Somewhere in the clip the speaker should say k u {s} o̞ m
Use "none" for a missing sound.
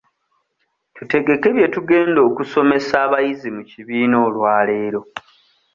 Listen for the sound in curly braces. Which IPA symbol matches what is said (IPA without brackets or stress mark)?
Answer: s